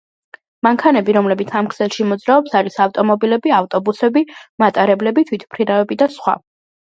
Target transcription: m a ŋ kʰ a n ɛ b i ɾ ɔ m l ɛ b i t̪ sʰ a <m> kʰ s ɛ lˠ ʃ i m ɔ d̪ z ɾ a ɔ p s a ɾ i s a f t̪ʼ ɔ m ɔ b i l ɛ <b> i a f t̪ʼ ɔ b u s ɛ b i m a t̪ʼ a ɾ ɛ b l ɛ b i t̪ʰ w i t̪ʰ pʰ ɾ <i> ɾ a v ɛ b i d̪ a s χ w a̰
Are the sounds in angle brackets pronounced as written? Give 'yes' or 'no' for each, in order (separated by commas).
yes, yes, yes